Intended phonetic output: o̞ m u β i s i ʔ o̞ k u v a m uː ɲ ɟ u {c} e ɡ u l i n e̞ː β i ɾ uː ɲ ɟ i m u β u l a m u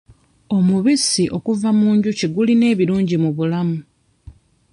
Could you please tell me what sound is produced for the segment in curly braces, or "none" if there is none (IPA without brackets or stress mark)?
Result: c